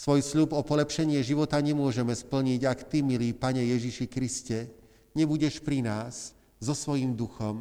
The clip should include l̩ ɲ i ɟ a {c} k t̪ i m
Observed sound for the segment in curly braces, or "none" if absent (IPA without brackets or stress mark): none